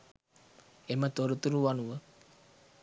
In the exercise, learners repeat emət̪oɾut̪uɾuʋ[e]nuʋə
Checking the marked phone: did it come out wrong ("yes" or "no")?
yes